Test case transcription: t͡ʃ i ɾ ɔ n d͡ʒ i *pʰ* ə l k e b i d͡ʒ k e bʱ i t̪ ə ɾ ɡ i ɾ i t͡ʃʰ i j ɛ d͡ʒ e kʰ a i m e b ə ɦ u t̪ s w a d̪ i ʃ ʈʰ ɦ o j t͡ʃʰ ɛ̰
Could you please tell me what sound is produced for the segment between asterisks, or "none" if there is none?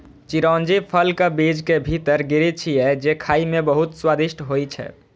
pʰ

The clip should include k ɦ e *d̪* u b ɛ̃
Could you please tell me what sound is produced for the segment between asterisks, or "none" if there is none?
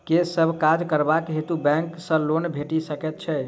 t̪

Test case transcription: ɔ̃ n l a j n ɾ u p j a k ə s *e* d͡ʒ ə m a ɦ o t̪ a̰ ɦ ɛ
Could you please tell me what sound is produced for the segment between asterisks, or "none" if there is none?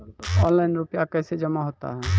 e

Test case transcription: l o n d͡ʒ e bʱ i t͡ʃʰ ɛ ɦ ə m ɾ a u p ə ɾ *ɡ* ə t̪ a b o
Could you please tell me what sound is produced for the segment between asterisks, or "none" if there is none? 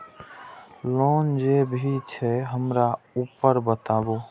b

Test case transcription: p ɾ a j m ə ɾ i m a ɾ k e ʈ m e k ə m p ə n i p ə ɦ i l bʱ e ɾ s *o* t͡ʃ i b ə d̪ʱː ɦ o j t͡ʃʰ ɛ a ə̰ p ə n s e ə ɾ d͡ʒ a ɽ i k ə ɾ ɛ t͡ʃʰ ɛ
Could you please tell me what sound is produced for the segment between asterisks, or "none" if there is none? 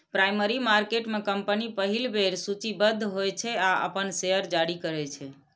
u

